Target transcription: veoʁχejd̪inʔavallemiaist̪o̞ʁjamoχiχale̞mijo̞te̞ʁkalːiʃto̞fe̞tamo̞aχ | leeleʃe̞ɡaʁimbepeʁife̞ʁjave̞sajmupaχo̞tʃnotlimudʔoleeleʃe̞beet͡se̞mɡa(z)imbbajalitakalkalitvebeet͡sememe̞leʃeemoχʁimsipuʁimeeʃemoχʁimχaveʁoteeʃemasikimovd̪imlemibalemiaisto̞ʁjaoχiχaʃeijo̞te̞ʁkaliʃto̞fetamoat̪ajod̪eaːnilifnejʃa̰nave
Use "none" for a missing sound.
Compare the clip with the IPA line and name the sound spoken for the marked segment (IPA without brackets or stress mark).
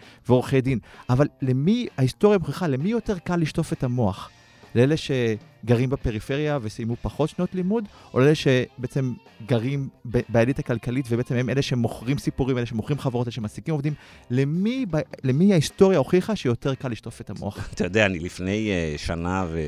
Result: ʁ